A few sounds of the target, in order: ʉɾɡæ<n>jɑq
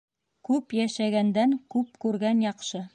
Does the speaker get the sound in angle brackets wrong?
no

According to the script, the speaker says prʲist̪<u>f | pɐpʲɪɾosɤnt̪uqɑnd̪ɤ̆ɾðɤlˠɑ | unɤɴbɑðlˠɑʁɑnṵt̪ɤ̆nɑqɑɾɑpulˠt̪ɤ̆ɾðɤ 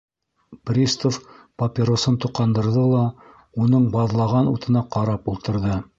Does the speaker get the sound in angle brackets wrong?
yes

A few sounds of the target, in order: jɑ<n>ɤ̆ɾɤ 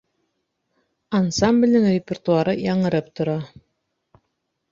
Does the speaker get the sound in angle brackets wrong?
yes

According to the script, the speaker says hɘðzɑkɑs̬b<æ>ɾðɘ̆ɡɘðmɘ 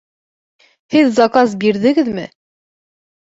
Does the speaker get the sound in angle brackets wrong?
yes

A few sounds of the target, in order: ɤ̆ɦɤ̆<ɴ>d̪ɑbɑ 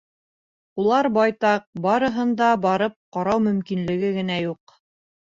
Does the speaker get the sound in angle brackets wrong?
yes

